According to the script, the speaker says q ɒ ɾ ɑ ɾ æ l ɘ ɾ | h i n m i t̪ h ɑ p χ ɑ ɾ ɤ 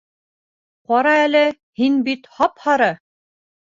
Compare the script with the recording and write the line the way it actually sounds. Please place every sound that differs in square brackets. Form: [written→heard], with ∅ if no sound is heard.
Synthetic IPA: q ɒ ɾ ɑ [ɾ→∅] æ l ɘ [ɾ→∅] | h i n [m→b] i t̪ h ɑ p [χ→h] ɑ ɾ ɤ